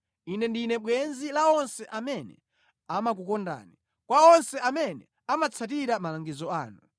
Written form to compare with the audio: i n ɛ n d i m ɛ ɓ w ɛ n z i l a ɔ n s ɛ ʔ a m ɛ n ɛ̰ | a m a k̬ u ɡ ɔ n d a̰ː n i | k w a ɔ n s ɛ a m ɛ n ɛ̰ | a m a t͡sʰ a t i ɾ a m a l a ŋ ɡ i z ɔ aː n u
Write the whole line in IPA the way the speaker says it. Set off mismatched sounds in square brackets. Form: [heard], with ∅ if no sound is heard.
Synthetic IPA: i n ɛ n d i [n] ɛ ɓ w ɛ n z i l a ɔ n s ɛ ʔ a m ɛ n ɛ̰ | a m a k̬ u [k] ɔ n d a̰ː n i | k w a ɔ n s ɛ a m ɛ n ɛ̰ | a m a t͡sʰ a t i ɾ a m a l a ŋ ɡ i z ɔ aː n u